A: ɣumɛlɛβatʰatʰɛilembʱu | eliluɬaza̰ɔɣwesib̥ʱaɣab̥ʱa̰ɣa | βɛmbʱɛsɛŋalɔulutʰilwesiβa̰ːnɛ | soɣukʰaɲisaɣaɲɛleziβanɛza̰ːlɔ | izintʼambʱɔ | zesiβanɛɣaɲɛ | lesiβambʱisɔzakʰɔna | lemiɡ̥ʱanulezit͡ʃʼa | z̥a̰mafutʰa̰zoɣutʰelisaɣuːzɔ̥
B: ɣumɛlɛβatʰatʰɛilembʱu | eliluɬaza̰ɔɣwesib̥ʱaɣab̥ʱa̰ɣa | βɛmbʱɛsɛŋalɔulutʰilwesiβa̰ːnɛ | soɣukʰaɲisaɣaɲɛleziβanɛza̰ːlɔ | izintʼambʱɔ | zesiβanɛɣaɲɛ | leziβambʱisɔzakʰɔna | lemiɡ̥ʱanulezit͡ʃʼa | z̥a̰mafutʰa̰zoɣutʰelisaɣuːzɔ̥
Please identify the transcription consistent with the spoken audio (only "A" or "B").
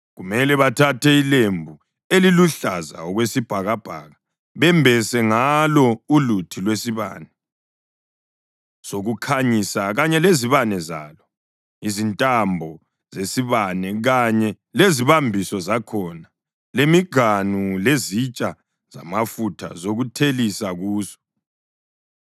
B